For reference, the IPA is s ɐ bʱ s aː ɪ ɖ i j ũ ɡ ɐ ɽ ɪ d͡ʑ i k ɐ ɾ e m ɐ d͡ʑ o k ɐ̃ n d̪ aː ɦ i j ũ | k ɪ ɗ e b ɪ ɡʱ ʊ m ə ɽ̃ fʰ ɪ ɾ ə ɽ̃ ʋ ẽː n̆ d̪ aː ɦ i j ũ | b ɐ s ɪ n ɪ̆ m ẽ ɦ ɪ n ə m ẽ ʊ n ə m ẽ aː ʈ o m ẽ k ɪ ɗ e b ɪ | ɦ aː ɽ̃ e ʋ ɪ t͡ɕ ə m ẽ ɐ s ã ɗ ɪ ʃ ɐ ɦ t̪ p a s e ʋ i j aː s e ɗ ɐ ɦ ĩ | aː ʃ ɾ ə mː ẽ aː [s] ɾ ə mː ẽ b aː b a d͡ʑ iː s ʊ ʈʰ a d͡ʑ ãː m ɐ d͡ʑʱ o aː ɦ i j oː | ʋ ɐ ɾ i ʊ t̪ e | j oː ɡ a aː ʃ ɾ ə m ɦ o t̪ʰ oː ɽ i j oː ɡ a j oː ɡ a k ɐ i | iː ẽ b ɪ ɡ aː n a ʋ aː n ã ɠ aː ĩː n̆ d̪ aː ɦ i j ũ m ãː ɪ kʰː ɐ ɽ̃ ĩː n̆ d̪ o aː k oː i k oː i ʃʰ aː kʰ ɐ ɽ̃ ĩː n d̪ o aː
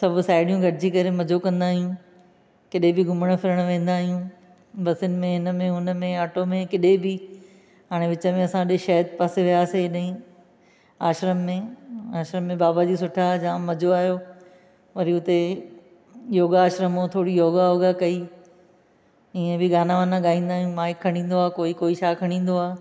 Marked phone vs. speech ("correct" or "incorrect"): incorrect